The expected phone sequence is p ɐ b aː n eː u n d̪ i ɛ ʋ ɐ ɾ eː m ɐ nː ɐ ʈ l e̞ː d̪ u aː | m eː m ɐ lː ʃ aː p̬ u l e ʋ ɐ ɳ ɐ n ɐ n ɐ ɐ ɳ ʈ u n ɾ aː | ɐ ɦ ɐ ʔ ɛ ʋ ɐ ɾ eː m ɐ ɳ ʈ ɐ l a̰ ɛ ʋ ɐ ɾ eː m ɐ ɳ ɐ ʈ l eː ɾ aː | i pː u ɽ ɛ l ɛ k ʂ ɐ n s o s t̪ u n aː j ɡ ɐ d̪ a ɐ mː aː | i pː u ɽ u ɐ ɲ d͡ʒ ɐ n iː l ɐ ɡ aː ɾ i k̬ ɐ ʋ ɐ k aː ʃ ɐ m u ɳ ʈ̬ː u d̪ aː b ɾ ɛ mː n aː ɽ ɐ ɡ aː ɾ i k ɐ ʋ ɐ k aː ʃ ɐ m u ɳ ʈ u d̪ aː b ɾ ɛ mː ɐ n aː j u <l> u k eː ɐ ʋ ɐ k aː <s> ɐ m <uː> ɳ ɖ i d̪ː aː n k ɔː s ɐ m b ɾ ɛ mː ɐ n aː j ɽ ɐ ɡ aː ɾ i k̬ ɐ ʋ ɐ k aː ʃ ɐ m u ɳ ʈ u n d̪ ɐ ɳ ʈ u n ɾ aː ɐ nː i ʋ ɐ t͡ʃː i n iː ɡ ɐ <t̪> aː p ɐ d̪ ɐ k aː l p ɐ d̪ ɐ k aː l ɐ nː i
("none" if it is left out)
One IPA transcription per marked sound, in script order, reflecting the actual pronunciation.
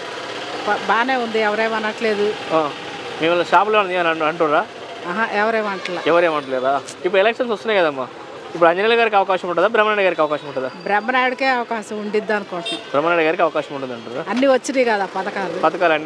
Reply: ɽ, ʃ, u, d̪

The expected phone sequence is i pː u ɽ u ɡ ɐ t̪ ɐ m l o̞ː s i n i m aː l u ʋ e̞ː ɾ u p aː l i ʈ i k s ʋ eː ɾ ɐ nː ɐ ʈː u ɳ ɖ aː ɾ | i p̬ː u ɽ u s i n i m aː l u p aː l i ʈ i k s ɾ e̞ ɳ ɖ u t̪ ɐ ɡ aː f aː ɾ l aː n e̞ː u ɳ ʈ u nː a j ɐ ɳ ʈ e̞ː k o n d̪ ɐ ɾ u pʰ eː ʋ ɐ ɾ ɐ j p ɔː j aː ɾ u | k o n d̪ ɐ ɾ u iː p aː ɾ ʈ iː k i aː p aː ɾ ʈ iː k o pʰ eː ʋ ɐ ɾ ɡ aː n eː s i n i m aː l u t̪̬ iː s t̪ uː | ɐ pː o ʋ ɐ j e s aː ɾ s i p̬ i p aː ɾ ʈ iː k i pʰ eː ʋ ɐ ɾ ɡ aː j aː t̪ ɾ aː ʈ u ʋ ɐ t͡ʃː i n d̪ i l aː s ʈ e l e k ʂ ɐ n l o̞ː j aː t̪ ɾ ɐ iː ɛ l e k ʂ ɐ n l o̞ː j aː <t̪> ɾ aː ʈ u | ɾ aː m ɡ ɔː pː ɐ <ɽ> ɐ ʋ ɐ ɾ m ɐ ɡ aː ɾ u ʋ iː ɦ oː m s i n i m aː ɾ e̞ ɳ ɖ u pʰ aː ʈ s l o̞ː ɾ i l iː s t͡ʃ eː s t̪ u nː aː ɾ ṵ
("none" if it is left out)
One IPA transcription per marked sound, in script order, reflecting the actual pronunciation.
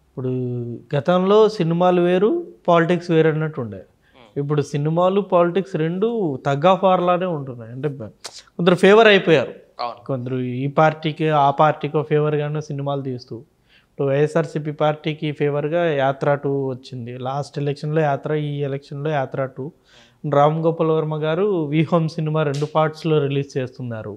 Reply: t̪, l

